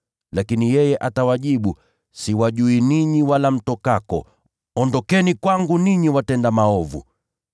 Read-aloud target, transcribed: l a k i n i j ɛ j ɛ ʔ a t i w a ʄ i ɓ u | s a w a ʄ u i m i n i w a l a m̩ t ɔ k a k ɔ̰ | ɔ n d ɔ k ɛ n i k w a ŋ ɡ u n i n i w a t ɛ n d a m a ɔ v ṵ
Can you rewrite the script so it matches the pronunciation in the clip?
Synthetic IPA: l a k i n i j ɛ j ɛ ʔ a t a w a ʄ i ɓ u | s i w a ʄ u i n i ɲ i w a l a m̩ t ɔ k a k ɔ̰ | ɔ n d ɔ k ɛ n i k w a ŋ ɡ u n i ɲ i w a t ɛ n d a m a ɔ v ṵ